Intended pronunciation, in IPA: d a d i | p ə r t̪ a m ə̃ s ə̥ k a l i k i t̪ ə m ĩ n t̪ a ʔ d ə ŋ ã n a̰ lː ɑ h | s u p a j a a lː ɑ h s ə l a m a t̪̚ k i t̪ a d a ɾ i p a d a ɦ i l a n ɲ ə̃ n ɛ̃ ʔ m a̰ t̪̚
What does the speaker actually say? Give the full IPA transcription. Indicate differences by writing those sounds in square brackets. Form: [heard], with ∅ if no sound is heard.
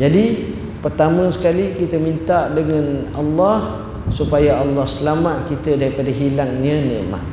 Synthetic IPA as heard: [d͡ʒ] a d i | p ə r t̪ a m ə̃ s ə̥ k a l i k i t̪ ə m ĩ n t̪ a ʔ d ə ŋ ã n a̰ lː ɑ h | s u p a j a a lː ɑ h s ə l a m a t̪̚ k i t̪ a d a ɾ i p a d a ɦ i l a [ŋ] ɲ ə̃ n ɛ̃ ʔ m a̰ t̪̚